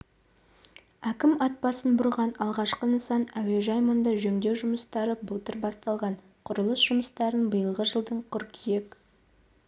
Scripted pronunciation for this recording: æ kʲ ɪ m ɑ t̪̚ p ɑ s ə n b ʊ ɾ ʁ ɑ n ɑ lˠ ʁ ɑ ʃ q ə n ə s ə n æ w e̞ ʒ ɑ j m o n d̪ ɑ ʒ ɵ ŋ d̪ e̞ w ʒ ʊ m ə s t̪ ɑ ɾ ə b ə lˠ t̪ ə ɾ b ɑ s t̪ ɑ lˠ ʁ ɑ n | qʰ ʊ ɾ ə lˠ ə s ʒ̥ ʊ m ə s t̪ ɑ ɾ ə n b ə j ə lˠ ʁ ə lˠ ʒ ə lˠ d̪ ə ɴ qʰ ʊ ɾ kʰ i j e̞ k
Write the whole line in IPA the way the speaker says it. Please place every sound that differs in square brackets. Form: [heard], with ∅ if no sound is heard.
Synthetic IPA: æ kʲ ɪ m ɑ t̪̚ p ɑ s ə n b ʊ ɾ ʁ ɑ n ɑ lˠ ʁ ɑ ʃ q ə n ə s [ɑ] n æ w e̞ ʒ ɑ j m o n d̪ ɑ ʒ ɵ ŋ d̪ e̞ w ʒ ʊ m ə s t̪ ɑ ɾ ə b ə lˠ t̪ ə ɾ b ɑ s t̪ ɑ lˠ ʁ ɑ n | qʰ ʊ ɾ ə lˠ ə s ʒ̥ ʊ m ə s t̪ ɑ ɾ ə n b ə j ə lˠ ʁ ə [∅] ʒ ə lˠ d̪ ə ɴ qʰ ʊ ɾ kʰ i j e̞ k